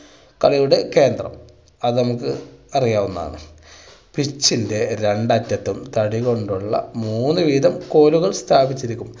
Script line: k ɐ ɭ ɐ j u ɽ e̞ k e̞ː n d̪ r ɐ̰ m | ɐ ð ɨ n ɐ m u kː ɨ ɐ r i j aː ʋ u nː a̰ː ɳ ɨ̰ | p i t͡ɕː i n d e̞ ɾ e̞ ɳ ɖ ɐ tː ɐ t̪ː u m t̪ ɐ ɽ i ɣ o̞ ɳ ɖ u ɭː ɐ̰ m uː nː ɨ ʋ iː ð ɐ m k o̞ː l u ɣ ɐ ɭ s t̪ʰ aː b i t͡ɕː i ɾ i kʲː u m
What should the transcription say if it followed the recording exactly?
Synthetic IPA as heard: k ɐ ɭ ɐ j u ɽ e̞ k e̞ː n d̪ r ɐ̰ m | ɐ ð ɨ n ɐ m u kː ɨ ɐ r i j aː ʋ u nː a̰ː ɳ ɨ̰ | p i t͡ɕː i n d e̞ ɾ e̞ ɳ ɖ ɐ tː ɐ t̪ː u m t̪ ɐ ɽ i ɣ o̞ ɳ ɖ u ɭː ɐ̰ m uː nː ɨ ʋ iː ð ɐ m k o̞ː l u ɣ ɐ ɭ s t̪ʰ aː b i t͡ɕː i ɾ i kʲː u m